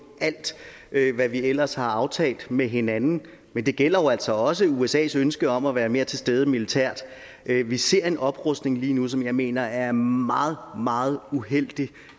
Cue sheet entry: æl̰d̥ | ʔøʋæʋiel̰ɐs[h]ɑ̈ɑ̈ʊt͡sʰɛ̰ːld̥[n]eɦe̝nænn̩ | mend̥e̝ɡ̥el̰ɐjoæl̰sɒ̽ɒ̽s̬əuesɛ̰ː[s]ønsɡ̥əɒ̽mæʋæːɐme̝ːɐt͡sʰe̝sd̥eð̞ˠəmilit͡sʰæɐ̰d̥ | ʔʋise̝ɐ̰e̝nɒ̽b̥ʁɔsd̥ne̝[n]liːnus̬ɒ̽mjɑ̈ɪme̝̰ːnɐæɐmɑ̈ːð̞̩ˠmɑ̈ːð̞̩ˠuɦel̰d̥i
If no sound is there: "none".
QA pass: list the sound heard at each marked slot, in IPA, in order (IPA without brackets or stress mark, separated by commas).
h, m, s, ŋ